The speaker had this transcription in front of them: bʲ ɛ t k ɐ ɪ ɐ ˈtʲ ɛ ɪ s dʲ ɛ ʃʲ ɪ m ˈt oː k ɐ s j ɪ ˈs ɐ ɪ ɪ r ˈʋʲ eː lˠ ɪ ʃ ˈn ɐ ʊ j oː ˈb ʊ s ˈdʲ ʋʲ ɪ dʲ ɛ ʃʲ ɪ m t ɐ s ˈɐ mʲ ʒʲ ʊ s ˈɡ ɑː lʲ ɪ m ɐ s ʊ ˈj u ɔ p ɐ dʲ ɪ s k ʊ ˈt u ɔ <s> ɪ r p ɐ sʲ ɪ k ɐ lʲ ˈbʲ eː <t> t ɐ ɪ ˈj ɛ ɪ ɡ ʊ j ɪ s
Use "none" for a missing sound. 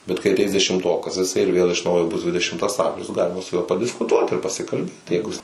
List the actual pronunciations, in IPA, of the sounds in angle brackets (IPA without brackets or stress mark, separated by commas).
t, t